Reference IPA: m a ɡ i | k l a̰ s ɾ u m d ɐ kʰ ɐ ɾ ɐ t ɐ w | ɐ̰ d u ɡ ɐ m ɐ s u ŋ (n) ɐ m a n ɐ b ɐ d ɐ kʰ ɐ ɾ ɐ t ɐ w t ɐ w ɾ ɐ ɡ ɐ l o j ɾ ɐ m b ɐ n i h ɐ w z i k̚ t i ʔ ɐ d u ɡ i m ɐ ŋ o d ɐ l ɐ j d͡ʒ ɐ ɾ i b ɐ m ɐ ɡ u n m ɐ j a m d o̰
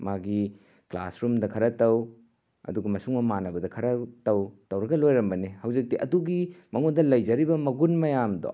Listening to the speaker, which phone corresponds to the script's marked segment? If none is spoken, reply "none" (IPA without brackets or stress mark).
m